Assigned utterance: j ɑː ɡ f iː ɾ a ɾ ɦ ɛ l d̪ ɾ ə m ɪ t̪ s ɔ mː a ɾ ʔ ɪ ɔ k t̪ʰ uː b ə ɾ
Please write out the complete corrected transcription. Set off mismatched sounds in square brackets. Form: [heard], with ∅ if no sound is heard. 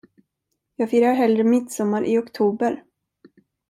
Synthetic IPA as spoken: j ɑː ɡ f iː ɾ a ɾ ɦ ɛ l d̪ ɾ ə m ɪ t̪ s ɔ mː a ɾ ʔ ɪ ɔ k t̪ʰ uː b ə ɾ